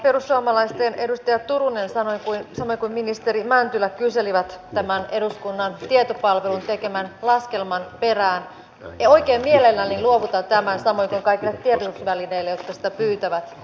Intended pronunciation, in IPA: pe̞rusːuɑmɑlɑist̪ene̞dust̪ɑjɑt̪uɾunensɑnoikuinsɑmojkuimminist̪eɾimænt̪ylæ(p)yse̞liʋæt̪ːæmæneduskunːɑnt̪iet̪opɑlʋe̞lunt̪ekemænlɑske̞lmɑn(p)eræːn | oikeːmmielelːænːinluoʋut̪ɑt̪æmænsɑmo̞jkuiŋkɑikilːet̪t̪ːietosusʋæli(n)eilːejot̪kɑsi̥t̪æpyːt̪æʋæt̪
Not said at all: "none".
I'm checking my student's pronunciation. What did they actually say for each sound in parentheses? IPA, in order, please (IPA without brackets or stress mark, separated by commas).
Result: k, p, n